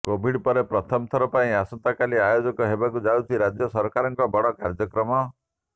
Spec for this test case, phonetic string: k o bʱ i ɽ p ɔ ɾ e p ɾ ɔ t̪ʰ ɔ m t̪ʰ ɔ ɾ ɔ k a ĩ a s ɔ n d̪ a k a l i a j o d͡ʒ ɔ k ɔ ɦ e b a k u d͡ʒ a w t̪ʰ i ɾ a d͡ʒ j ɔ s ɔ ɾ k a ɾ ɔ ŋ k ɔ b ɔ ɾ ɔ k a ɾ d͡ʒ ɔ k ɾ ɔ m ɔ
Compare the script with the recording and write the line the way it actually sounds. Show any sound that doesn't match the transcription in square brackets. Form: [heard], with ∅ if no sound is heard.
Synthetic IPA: k o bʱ i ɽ p ɔ ɾ e p ɾ ɔ t̪ʰ ɔ m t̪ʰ ɔ ɾ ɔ [p] a ĩ a s ɔ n [t̪] a k a l i a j o d͡ʒ ɔ k ɔ ɦ e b a k u d͡ʒ a w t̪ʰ i ɾ a d͡ʒ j ɔ s ɔ ɾ k a ɾ ɔ ŋ k ɔ b ɔ [ɽ] ɔ k a ɾ d͡ʒ ɔ k ɾ ɔ m ɔ